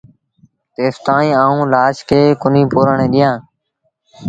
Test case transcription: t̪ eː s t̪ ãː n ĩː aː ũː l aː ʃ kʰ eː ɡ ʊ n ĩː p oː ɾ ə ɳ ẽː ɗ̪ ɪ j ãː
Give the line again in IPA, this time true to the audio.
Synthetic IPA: t̪ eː s t̪ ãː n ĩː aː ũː l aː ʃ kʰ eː k ʊ n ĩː p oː ɾ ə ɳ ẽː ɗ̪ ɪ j ãː

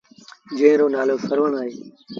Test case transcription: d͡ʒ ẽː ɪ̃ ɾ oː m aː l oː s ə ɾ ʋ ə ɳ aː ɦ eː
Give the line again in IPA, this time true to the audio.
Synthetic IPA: d͡ʒ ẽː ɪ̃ ɾ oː n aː l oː s ə ɾ ʋ ə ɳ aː ɦ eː

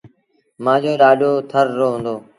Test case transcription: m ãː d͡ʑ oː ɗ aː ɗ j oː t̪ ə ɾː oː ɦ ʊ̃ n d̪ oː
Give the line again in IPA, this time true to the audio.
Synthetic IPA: m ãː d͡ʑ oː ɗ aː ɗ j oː t̪ʰ ə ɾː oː ɦ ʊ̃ n d̪ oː

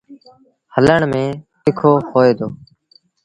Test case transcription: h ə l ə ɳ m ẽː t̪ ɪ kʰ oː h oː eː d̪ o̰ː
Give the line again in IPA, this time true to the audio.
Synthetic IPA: h ə l ə ɳ m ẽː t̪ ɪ kʰ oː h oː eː d̪ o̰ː

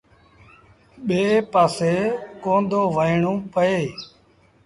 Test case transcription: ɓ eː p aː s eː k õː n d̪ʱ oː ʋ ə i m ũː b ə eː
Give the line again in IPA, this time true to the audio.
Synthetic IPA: ɓ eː p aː s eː k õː n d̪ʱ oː ʋ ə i ɳ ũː p ə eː

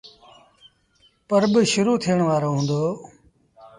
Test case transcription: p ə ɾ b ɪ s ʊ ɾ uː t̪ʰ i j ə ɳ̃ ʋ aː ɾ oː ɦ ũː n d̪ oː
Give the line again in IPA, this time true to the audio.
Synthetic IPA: p ə ɾ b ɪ ʃ ʊ ɾ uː t̪ʰ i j ə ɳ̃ ʋ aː ɾ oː ɦ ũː n d̪ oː

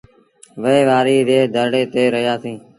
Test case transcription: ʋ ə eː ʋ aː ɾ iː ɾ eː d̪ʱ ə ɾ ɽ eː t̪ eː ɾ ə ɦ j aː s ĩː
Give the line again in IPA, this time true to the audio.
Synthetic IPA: ʋ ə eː ʋ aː ɾ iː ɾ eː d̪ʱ ə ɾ ɽ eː t̪ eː ɾ ə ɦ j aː s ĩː

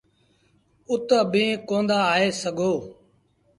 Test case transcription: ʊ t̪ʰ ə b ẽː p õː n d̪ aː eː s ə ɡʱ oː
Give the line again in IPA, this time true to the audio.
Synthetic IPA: ʊ t̪ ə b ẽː k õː n d̪ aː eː s ə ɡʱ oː

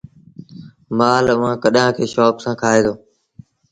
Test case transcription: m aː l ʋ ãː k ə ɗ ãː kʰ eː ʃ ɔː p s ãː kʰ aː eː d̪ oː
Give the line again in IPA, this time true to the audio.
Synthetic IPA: m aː l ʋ ãː k ə ɗ ãː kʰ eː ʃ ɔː p s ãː kʰ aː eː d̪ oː

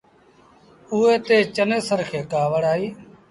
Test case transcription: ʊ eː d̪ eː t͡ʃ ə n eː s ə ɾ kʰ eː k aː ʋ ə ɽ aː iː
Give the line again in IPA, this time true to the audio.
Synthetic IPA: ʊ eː t̪ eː t͡ʃ ə n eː s ə ɾ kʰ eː k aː ʋ ə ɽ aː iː

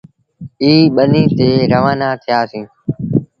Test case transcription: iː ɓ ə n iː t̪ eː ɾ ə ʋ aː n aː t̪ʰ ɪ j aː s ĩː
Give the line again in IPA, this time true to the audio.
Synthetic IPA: iː ɓ ə n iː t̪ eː ɾ ə ʋ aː n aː t̪ʰ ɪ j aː s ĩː

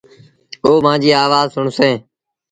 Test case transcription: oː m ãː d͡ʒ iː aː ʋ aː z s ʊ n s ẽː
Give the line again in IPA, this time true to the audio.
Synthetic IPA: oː m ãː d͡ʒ iː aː ʋ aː z s ʊ ɳ s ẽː

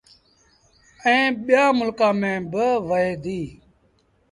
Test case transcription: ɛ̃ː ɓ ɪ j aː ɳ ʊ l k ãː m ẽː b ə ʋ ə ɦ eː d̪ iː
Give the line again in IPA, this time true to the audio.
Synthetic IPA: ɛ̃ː ɓ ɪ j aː m ʊ l k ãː m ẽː b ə ʋ ə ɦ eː d̪ iː

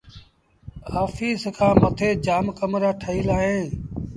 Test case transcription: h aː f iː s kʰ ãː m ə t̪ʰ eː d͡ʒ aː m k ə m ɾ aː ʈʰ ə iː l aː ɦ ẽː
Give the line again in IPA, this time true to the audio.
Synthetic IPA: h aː f iː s kʰ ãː m ə t̪ʰ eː d͡ʒ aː m k ə m ɾ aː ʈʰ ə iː l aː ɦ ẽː

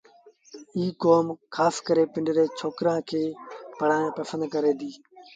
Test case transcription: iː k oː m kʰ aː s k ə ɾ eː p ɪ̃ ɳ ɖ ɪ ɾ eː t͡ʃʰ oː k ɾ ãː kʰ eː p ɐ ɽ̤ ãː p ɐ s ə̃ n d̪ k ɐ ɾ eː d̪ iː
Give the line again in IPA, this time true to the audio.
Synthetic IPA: iː k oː m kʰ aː s k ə ɾ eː p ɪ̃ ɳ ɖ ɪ ɾ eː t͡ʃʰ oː k ɾ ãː kʰ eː p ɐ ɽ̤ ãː p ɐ s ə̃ n d̪ k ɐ ɾ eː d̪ iː

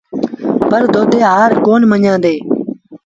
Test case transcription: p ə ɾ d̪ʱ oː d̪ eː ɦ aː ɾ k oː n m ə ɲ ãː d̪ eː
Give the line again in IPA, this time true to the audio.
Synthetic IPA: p ə ɾ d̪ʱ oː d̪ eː ɦ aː ɾ k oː n m ə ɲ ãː d̪ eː

